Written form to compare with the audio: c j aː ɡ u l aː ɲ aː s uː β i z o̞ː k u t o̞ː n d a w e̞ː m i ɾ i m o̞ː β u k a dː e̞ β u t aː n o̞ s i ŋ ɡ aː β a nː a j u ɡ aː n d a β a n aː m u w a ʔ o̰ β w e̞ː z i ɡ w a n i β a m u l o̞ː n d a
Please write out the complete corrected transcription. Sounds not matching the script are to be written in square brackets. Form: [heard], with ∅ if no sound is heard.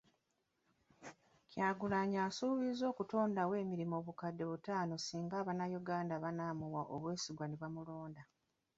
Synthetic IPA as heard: c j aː ɡ u l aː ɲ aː s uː β i z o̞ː k u t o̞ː n d a w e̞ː m i ɾ i m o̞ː β u k a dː e̞ β u t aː n o̞ s [iː] ŋ ɡ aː β a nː a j u ɡ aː n d a β a n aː m u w a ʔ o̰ β w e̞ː [s] i ɡ w a n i β a m u l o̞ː n d a

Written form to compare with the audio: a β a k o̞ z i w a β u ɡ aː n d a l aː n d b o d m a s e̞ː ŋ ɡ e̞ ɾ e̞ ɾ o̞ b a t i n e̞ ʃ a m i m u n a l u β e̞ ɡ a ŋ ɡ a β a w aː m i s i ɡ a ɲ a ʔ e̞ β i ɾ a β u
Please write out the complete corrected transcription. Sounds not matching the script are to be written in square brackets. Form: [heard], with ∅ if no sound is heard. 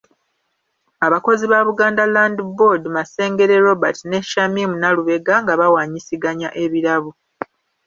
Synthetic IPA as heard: a β a k o̞ z i [β] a β u ɡ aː n d a l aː n d b o d m a s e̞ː ŋ ɡ e̞ ɾ e̞ ɾ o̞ b a t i n e̞ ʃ a m i m u n a l u β e̞ ɡ a ŋ ɡ a β a w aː [ɲ] i s i ɡ a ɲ a ʔ e̞ β i ɾ a β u

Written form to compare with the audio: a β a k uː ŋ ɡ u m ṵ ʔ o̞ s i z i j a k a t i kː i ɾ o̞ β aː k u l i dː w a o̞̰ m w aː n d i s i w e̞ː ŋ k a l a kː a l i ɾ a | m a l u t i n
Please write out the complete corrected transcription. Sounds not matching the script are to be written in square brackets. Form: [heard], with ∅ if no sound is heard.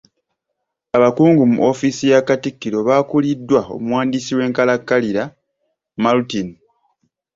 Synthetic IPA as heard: a β a k uː ŋ ɡ u m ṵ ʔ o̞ [f] i [s] i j a k a t i kː i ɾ o̞ β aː k u l i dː w a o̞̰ m w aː n d i s i w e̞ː ŋ k a l a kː a l i ɾ a | m a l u t i n

